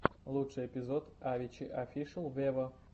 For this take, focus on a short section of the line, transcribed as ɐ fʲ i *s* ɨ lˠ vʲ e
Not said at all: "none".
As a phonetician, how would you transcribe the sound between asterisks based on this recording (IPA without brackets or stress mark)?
ʂ